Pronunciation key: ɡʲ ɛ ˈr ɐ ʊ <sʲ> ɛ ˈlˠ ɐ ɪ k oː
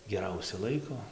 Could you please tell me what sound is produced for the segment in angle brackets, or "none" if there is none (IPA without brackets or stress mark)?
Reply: sʲ